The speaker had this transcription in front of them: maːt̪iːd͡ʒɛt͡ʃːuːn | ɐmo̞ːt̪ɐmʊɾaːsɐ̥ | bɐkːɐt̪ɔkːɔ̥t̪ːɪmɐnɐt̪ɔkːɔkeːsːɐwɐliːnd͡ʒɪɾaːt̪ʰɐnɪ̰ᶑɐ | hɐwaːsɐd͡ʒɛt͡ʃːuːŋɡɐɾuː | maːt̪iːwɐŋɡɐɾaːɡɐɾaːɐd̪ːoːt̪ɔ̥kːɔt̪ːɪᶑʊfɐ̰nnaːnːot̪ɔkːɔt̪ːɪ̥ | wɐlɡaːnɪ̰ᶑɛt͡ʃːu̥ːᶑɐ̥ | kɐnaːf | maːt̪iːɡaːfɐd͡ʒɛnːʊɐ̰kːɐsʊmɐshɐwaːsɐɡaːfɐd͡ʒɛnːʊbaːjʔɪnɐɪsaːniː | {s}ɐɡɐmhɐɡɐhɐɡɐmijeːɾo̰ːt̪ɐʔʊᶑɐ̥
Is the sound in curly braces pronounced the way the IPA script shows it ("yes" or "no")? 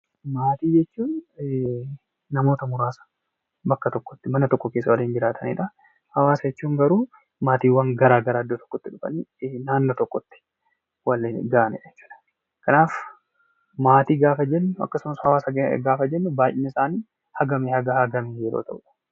no